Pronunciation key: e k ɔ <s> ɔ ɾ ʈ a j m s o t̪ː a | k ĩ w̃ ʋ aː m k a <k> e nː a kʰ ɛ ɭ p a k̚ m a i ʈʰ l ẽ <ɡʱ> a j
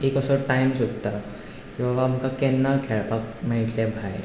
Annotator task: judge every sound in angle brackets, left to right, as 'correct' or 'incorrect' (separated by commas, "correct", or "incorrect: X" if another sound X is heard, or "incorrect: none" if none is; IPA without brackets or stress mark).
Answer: correct, correct, incorrect: bʱ